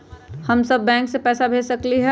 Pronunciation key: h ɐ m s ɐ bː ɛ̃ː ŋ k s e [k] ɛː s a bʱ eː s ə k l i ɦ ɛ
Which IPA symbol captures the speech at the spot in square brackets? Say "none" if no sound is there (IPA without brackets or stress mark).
p